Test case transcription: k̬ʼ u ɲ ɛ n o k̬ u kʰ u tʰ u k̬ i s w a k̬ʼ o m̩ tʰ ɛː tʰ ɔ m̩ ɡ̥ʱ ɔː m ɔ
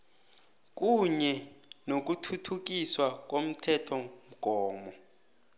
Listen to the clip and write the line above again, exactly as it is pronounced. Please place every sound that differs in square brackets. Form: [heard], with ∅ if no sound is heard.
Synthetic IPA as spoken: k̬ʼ u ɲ ɛ n o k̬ u [tʰ] u tʰ u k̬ i s w a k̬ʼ o m̩ tʰ [ɛ] tʰ ɔ m̩ ɡ̥ʱ ɔː m ɔ